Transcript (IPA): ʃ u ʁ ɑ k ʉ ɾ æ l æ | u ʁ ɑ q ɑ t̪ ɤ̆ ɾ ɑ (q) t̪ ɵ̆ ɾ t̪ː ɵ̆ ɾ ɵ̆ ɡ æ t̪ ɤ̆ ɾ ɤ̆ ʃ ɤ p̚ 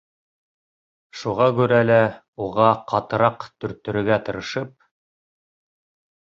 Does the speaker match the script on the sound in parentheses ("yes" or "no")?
yes